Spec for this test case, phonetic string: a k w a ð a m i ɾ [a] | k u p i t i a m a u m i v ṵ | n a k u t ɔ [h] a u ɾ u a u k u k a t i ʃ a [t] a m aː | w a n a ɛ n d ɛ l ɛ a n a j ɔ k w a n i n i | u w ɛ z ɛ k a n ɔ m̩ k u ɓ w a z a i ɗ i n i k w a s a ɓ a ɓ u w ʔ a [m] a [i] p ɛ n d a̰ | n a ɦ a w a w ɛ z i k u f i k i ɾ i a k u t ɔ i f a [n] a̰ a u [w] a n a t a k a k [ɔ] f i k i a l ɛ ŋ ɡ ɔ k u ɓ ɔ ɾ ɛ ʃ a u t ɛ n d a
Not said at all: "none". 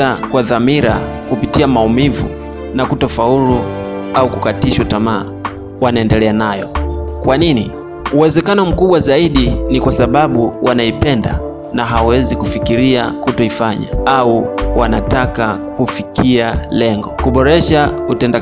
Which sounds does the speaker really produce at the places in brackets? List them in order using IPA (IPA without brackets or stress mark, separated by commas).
a, f, t, n, i, ɲ, w, u